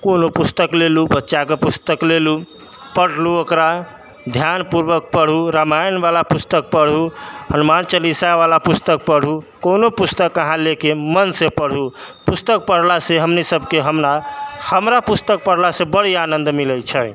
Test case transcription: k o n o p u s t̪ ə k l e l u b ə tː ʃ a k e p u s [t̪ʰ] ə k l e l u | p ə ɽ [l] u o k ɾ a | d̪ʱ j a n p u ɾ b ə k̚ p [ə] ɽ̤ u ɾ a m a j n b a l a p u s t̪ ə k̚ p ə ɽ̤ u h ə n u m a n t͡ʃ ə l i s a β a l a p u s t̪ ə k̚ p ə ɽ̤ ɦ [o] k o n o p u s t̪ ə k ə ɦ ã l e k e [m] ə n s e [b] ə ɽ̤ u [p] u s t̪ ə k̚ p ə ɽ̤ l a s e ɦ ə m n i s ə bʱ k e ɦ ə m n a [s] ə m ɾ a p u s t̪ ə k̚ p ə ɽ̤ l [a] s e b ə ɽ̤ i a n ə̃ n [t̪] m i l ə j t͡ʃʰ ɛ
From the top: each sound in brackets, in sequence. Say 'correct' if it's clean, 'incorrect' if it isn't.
incorrect: t̪, correct, correct, incorrect: u, correct, incorrect: p, correct, incorrect: h, correct, incorrect: d̪

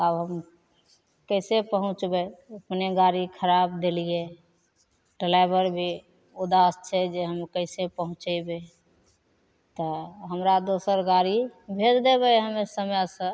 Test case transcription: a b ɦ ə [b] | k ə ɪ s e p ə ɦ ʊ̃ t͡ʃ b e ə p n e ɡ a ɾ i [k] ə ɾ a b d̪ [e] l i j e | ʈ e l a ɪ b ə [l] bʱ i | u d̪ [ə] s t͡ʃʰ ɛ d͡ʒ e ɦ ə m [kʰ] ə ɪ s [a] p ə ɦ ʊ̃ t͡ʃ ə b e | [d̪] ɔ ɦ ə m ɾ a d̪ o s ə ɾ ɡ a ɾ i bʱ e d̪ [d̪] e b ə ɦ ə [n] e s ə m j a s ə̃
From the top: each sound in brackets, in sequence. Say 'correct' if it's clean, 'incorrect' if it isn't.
incorrect: m, incorrect: kʰ, correct, incorrect: ɾ, incorrect: a, incorrect: k, incorrect: e, incorrect: t̪, correct, incorrect: m

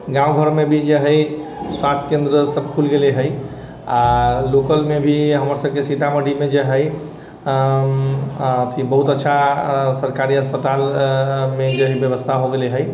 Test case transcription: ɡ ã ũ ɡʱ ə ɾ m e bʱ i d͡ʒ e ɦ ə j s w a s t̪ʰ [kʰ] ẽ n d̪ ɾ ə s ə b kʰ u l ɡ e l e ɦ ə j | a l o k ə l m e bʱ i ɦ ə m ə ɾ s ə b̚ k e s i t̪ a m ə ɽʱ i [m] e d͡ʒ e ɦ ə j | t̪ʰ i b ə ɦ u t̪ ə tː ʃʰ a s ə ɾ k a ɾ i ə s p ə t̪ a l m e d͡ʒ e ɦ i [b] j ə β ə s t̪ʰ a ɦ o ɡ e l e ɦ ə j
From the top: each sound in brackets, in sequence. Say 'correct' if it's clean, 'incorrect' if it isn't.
incorrect: k, correct, correct

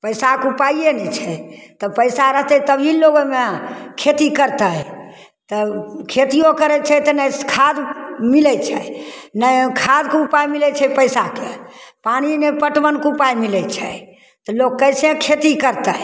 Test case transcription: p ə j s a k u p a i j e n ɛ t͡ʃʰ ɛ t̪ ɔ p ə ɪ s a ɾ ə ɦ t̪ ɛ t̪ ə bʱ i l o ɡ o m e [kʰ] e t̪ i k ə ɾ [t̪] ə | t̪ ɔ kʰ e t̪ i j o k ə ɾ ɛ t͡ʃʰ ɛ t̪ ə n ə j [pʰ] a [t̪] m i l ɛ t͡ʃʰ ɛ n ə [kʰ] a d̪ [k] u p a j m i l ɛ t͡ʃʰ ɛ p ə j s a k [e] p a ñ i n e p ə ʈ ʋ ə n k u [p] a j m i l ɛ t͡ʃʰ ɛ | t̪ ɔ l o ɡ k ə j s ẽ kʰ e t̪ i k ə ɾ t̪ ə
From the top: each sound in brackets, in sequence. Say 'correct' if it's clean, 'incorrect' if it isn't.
correct, correct, incorrect: kʰ, incorrect: d̪, correct, correct, correct, correct

